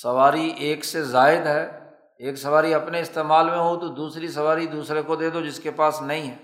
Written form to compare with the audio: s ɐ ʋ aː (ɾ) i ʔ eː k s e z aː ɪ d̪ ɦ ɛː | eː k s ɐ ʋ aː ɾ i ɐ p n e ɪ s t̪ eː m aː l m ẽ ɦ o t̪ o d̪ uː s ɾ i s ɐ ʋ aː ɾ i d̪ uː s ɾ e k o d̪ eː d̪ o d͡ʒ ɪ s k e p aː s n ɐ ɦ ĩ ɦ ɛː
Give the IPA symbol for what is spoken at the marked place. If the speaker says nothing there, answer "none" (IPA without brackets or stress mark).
ɾ